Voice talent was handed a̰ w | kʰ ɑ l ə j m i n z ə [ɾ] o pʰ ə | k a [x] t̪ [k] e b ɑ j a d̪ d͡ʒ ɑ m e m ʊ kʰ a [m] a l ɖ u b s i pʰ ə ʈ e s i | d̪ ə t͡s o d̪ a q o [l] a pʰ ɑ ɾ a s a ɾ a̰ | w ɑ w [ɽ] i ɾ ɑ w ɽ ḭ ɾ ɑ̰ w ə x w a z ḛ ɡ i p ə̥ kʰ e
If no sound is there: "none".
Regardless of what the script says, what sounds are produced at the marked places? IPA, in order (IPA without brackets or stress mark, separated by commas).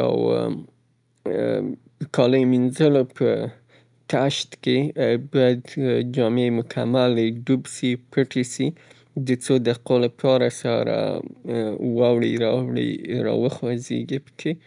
l, ʃ, k, m, l, ɽ